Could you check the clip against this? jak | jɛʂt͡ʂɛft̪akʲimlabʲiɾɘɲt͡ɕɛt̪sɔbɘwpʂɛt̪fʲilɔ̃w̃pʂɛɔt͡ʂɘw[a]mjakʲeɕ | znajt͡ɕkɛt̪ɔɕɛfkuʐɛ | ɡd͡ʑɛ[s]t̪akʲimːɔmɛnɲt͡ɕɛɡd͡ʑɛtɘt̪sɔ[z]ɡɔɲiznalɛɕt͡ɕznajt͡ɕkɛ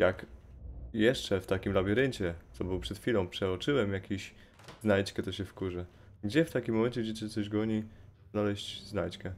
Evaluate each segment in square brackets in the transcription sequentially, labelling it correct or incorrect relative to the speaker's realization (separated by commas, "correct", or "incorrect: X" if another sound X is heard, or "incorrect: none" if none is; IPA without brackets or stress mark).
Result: incorrect: ɛ, incorrect: f, incorrect: ʑ